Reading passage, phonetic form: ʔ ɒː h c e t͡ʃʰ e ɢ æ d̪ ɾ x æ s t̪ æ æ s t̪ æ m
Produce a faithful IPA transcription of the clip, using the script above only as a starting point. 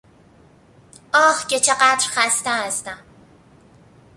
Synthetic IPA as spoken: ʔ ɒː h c e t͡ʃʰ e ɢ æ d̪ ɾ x æ s t̪ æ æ s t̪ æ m